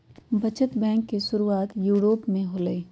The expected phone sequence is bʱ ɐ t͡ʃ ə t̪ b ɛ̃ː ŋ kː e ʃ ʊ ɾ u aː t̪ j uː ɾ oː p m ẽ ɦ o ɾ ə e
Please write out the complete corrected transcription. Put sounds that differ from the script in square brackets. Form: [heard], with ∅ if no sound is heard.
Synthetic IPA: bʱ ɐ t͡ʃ ə t̪ b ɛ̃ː ŋ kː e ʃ ʊ ɾ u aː t̪ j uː ɾ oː p m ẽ ɦ o [l] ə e